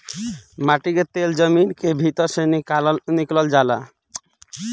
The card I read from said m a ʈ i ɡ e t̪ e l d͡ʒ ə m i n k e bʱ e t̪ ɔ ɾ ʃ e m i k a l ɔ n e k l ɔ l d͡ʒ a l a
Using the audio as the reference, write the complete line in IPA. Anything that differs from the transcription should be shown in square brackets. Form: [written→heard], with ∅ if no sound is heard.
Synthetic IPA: m a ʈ i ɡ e t̪ e l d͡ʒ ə m i n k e bʱ [e→i] t̪ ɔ ɾ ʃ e [m→n] i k a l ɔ n [e→i] k l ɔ l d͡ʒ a l a